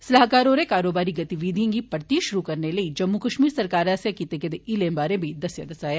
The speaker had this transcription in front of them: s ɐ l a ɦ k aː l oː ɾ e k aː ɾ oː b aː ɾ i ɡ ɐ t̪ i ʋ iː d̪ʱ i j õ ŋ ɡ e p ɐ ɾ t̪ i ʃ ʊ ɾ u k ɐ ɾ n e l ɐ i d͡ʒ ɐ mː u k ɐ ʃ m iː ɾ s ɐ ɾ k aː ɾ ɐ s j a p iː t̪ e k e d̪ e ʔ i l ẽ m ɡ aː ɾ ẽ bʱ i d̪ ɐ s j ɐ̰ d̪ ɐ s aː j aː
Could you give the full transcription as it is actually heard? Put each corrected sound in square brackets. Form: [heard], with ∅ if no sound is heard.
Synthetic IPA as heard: s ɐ l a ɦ k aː [ɾ] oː ɾ e k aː ɾ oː b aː ɾ i ɡ ɐ t̪ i ʋ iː d̪ʱ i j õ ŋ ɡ [i] p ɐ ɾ t̪ i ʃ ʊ ɾ u k ɐ ɾ n e l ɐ i d͡ʒ ɐ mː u k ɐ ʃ m iː ɾ s ɐ ɾ k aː ɾ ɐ s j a [k] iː t̪ e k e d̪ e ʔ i l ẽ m [b] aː ɾ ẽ bʱ i d̪ ɐ s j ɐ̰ d̪ ɐ s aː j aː